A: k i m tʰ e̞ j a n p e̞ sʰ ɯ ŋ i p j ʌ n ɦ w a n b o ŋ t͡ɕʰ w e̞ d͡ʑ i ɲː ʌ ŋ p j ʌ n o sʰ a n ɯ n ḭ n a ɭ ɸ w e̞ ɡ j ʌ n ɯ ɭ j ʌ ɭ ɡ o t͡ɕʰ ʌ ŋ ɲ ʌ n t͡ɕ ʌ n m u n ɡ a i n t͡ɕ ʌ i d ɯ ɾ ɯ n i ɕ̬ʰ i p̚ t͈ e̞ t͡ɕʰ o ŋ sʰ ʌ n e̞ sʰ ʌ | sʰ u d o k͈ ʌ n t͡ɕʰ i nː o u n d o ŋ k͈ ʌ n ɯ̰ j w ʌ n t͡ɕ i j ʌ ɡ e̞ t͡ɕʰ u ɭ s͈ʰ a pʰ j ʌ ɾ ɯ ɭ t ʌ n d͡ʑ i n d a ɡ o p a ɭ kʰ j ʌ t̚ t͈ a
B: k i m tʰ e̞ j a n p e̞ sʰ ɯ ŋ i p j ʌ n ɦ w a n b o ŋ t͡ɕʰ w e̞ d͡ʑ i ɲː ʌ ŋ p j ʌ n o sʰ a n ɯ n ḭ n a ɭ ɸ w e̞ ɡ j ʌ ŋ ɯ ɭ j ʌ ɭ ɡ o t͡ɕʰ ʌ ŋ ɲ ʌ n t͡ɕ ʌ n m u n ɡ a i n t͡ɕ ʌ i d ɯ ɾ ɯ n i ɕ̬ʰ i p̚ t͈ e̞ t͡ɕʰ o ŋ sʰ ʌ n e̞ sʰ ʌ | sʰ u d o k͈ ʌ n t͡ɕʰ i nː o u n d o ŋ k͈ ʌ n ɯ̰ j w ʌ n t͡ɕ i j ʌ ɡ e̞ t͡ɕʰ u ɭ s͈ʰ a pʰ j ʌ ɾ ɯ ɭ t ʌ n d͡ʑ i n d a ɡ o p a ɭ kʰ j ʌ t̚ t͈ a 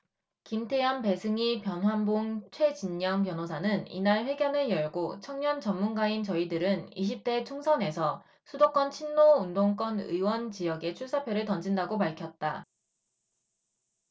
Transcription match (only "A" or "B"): A